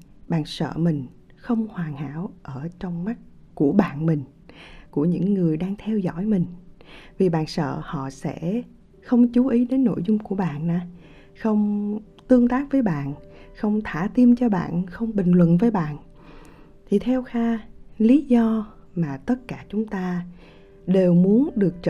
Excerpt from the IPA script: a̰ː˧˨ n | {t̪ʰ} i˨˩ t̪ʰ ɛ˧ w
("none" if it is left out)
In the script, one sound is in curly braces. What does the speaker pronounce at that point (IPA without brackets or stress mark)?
t̪ʰ